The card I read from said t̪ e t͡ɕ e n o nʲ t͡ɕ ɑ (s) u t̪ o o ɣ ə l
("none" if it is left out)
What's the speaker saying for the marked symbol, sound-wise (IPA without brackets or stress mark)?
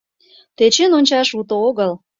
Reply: ʃ